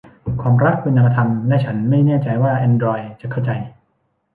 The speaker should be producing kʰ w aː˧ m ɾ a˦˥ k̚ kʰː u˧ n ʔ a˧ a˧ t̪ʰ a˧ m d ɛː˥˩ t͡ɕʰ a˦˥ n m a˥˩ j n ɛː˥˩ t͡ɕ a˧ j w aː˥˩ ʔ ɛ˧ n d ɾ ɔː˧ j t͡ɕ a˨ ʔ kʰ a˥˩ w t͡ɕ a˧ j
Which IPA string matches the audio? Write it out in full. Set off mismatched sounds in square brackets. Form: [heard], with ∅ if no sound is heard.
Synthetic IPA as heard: kʰ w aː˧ m ɾ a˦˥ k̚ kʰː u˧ n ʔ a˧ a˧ t̪ʰ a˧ m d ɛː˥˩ t͡ɕʰ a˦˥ n m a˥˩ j n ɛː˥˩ t͡ɕ a˧ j w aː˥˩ ʔ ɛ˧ n d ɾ ɔː˧ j t͡ɕ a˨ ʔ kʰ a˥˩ w t͡ɕ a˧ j